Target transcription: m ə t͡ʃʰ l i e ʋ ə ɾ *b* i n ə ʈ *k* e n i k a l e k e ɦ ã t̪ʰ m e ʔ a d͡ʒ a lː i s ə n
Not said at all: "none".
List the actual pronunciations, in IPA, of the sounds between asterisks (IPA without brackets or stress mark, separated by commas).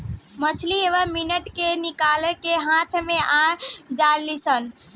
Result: m, k